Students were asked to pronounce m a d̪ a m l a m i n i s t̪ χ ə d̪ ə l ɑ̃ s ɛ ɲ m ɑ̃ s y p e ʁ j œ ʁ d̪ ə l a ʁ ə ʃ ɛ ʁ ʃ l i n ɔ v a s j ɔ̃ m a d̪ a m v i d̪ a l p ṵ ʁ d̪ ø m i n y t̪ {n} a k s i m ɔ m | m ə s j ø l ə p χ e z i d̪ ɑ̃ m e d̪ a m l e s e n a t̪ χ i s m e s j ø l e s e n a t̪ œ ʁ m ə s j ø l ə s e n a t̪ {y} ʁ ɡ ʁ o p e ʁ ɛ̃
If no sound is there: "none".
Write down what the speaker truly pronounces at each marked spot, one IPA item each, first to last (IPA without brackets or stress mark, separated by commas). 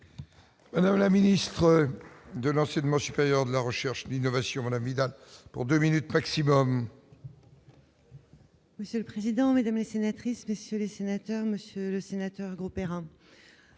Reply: m, œ